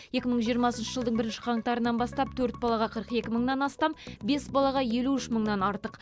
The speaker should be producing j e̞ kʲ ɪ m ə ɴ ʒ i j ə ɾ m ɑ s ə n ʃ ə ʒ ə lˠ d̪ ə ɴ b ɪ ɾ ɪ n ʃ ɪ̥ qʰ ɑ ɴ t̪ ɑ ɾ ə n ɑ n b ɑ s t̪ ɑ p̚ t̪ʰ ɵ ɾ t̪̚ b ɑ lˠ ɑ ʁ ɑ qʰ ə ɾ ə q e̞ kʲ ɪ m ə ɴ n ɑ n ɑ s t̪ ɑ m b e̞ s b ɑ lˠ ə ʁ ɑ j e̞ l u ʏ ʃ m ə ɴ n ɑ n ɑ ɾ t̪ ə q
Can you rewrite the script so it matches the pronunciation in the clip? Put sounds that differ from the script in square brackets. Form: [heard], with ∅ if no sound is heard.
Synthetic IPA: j e̞ kʲ ɪ m ə ɴ ʒ i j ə ɾ m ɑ s ə n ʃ ə ʒ ə lˠ d̪ ə ɴ b ɪ ɾ ɪ n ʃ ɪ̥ qʰ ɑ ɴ t̪ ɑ ɾ ə n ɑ n b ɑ s t̪ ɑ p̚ t̪ʰ ɵ ɾ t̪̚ b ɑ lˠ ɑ ʁ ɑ qʰ ə ɾ ə q e̞ kʲ ɪ m ə ɴ n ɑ n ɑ s t̪ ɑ m b e̞ s b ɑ lˠ [ɑ] ʁ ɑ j e̞ l u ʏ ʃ m ə ɴ n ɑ n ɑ ɾ t̪ ə q